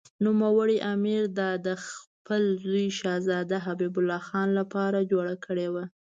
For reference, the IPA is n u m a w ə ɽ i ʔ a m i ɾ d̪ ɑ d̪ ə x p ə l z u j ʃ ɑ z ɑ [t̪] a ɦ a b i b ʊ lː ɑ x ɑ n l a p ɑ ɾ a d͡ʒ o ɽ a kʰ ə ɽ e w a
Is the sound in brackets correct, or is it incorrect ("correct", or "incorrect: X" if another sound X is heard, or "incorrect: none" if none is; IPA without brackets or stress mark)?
incorrect: d̪